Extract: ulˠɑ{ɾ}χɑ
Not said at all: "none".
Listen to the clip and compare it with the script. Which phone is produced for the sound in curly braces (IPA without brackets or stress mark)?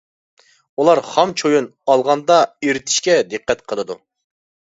ɾ